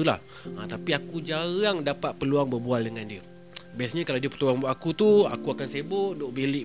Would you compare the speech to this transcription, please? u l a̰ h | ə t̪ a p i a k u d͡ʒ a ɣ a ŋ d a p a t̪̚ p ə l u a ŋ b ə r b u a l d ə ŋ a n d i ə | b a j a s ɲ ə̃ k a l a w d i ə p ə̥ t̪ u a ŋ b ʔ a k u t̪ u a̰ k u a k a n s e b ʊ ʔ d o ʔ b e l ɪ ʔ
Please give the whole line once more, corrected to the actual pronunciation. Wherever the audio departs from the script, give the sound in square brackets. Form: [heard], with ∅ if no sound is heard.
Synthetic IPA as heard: u l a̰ h | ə t̪ a p i a k u d͡ʒ a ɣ a ŋ d a p a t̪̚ p ə l u a ŋ b ə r b u a l d ə ŋ a n d i ə | b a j a s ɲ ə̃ k a l a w d i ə p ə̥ t̪ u a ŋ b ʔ a k u t̪ u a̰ k u a k a n s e b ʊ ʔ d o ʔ b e l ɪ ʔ